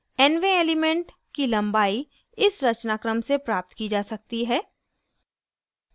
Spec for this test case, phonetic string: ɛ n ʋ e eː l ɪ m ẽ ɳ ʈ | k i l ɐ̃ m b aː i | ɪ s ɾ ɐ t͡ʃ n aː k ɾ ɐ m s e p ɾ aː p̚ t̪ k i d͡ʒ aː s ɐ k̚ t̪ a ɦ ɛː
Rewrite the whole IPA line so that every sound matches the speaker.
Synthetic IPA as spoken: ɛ n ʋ e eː l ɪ m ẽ ɳ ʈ | k i l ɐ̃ m b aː i | ɪ s ɾ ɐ t͡ʃ n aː k ɾ ə m s e p ɾ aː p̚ t̪ k i d͡ʒ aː s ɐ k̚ t̪ i ɦ ɛː